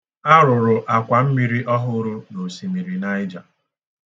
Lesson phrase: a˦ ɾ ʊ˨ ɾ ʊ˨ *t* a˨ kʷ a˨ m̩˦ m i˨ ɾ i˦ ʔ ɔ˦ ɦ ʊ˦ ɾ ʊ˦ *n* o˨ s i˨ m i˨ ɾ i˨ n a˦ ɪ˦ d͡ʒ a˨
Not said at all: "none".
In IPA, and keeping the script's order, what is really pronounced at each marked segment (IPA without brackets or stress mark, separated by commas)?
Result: ʔ, n